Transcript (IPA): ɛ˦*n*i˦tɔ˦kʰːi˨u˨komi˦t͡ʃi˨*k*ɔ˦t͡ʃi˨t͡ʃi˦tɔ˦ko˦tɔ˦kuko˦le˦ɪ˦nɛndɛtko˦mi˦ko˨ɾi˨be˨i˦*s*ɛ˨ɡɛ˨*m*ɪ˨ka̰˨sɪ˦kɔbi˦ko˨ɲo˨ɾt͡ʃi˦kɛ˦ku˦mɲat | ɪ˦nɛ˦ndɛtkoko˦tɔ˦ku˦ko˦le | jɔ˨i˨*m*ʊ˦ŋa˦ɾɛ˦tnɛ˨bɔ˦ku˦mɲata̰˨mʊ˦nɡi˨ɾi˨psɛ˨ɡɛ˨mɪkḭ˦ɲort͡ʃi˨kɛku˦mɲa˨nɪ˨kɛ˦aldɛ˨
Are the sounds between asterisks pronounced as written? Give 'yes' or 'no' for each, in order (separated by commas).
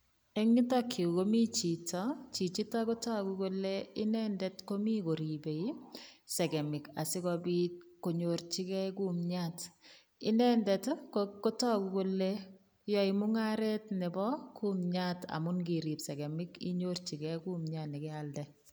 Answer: no, no, yes, yes, yes